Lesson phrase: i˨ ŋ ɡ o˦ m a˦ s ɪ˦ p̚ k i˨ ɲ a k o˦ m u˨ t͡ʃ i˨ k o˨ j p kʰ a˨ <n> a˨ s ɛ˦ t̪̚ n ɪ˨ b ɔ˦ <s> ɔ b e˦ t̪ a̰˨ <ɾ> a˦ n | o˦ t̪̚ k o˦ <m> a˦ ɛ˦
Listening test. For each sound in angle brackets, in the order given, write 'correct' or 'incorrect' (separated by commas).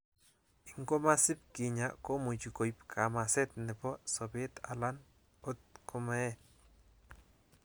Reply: incorrect, correct, incorrect, correct